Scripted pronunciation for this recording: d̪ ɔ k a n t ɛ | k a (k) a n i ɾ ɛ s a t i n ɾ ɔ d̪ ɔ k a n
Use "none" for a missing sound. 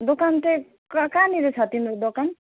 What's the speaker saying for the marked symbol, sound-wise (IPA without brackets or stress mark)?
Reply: k